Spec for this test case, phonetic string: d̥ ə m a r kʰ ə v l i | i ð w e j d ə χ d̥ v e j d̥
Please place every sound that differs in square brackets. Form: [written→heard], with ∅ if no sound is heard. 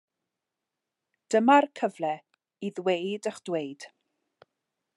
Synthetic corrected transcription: d̥ ə m a r kʰ ə v l [i→ɛ] | i ð w e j d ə χ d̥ [v→w] e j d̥